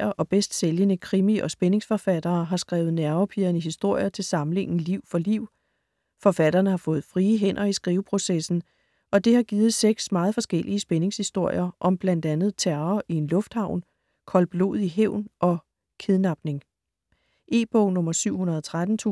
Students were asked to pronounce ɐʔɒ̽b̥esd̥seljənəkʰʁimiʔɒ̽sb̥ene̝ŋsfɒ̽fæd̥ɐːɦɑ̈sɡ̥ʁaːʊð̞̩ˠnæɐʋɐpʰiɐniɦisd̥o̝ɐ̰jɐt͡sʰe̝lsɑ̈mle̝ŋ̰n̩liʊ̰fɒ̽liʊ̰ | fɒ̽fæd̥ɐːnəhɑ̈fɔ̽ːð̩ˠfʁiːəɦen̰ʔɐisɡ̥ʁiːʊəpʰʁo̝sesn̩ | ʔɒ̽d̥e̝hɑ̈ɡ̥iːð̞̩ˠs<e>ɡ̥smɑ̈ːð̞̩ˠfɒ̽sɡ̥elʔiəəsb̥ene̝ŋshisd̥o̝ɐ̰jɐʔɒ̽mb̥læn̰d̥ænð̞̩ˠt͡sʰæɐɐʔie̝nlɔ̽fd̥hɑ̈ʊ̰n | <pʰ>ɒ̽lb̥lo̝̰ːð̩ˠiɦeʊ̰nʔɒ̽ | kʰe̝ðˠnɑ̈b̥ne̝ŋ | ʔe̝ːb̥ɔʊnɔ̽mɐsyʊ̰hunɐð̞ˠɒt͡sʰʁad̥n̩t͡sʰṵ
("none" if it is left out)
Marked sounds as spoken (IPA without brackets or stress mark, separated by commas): e, kʰ